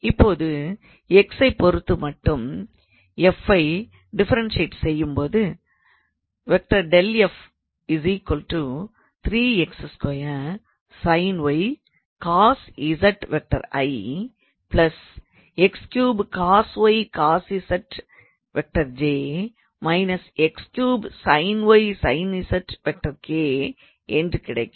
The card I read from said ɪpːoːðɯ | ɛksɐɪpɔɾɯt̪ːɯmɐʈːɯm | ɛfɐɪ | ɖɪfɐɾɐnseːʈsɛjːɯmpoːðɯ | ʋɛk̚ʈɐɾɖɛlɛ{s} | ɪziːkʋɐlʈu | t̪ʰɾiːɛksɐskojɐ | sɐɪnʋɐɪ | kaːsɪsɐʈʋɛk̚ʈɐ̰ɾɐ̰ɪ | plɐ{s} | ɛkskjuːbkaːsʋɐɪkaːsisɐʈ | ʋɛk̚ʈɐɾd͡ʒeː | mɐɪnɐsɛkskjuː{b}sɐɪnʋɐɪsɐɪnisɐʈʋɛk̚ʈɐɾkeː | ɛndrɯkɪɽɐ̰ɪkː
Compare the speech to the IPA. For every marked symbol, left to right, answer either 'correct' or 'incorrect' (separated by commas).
incorrect, correct, correct